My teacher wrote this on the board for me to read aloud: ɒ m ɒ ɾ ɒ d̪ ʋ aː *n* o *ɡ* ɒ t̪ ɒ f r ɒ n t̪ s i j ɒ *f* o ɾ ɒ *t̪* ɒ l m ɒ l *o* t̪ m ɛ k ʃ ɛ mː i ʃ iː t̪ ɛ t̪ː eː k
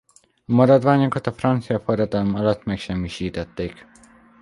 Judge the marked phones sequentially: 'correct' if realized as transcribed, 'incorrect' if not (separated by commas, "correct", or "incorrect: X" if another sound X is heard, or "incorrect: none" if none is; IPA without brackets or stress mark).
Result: incorrect: ɲ, incorrect: k, correct, incorrect: d̪, incorrect: ɒ